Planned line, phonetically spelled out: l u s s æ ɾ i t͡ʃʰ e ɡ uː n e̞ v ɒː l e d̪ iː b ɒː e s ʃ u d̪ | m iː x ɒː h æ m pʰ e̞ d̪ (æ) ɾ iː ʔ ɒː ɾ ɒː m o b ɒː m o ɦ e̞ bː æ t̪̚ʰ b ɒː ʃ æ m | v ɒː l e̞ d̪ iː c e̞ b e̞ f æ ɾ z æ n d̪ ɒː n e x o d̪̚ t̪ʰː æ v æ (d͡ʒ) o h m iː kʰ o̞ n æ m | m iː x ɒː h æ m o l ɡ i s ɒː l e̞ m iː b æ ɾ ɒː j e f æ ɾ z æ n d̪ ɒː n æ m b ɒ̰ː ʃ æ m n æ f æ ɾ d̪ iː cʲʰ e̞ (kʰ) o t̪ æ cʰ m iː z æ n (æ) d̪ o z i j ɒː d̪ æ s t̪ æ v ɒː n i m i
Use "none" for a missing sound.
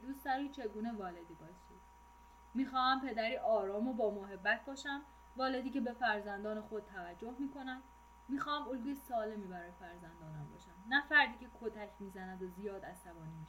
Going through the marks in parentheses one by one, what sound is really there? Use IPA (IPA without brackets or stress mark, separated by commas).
æ, d͡ʒː, kʰ, æ